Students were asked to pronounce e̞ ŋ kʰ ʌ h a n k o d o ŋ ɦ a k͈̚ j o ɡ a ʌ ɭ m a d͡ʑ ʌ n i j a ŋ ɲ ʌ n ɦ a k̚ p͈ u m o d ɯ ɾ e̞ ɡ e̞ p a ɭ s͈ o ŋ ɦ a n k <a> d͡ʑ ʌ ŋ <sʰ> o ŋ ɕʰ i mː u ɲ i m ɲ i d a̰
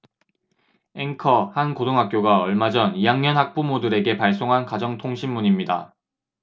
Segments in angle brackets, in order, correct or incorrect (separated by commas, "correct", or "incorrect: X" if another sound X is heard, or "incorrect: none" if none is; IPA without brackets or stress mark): correct, incorrect: tʰ